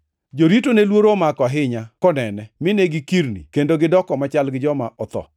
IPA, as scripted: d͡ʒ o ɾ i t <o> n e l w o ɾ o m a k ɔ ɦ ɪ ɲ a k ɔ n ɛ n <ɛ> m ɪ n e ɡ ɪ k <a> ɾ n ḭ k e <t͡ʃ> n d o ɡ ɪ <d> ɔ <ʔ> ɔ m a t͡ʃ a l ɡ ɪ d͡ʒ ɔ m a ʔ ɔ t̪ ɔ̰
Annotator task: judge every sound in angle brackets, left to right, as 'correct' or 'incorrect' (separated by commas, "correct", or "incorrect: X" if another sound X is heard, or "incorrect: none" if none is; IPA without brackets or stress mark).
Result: correct, correct, incorrect: i, incorrect: none, correct, incorrect: k